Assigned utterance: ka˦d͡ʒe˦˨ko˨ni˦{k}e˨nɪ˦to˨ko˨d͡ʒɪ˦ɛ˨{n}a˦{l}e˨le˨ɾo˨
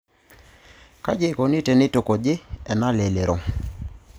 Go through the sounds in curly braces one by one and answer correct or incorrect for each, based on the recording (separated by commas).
incorrect, correct, correct